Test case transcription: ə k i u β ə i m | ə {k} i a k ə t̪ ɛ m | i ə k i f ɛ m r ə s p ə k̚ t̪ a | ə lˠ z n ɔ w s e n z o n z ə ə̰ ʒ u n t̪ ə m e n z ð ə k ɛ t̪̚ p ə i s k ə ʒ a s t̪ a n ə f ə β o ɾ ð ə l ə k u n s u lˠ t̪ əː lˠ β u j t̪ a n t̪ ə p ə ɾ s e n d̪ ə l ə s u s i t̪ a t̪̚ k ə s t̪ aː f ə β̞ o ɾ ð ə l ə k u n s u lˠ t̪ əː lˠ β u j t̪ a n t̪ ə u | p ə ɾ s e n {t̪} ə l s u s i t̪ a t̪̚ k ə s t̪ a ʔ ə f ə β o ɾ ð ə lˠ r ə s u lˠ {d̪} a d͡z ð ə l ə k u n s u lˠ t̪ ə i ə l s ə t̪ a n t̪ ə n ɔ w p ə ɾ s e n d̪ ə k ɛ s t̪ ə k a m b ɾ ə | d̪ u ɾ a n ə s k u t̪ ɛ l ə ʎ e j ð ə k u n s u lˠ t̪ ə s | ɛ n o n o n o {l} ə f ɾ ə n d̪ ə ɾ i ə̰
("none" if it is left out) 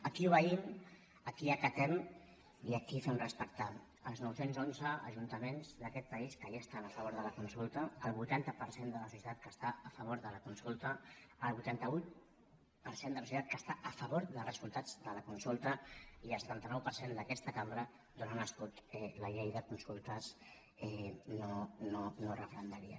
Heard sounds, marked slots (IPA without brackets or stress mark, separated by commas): k, d̪, t̪, r